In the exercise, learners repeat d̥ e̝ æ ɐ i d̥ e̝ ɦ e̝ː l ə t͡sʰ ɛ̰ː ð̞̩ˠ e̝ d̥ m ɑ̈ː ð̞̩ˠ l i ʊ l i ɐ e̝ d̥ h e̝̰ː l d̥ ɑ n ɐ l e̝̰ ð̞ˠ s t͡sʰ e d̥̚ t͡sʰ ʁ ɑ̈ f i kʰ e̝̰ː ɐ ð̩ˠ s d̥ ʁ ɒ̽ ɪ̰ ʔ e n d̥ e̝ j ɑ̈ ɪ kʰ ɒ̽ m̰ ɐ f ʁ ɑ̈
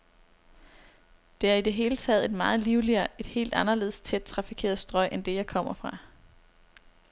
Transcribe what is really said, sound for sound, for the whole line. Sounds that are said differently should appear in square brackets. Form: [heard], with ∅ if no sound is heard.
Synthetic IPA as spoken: d̥ e̝ æ ɐ i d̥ e̝ ɦ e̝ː l ə t͡sʰ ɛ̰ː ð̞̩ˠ e̝ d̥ m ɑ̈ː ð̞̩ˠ l i ʊ l i ɐ e̝ d̥ h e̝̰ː l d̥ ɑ n ɐ l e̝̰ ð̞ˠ s t͡sʰ e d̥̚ t͡sʰ ʁ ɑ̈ f i kʰ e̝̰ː ɐ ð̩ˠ s d̥ ʁ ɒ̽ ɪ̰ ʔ e n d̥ e̝ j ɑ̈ ɪ kʰ ɒ̽ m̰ ɐ f ʁ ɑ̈

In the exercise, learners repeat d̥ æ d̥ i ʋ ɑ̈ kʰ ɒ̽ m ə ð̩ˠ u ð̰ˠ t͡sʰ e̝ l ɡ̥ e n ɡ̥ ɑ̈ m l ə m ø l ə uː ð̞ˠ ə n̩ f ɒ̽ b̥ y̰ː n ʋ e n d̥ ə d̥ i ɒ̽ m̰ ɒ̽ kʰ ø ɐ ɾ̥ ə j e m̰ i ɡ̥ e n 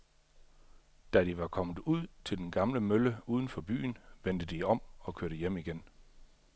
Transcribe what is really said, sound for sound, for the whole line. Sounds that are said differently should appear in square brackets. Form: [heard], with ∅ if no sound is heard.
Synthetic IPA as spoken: d̥ æ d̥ i ʋ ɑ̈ kʰ ɒ̽ m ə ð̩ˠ u ð̰ˠ t͡sʰ e̝ l [d̥] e n ɡ̥ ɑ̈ m l ə m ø l ə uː ð̞ˠ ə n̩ f ɒ̽ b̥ y̰ː n ʋ e n d̥ ə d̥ i ɒ̽ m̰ ɒ̽ kʰ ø ɐ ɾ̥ ə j e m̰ i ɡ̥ e n

